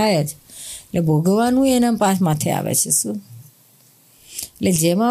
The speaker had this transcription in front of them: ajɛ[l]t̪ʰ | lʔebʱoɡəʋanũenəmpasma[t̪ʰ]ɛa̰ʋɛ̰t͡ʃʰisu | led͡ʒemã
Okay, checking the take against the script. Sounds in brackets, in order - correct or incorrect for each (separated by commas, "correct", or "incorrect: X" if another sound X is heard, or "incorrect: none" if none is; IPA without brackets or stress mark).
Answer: incorrect: none, correct